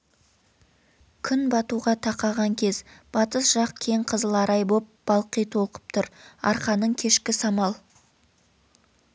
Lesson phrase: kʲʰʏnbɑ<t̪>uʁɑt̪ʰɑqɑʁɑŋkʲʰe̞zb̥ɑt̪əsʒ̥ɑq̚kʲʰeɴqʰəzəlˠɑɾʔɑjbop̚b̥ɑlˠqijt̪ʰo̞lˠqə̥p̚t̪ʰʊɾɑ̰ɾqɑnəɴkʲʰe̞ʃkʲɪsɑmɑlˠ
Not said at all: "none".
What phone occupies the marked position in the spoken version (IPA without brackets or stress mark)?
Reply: t̪